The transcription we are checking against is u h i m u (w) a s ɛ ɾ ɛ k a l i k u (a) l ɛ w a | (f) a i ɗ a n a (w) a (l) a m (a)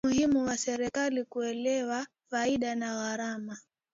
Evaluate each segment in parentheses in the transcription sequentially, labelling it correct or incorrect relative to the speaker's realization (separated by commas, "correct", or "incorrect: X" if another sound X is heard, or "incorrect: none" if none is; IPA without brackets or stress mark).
correct, incorrect: ɛ, correct, incorrect: ɣ, incorrect: ɾ, correct